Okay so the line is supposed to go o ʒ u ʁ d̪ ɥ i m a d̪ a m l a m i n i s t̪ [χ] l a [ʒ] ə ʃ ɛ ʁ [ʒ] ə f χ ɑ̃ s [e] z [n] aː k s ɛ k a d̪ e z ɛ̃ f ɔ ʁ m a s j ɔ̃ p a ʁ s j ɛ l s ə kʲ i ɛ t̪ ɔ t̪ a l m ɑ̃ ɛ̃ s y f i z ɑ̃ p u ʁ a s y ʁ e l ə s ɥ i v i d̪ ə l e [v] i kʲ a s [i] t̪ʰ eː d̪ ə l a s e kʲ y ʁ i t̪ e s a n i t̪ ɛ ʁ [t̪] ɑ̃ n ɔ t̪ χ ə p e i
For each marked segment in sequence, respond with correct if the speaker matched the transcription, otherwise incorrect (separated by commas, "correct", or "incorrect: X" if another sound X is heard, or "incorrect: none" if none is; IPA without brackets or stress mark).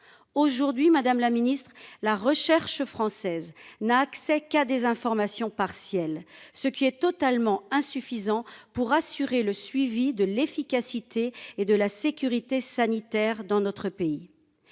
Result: correct, incorrect: ʁ, incorrect: ʃ, incorrect: ɛ, correct, incorrect: f, correct, incorrect: d̪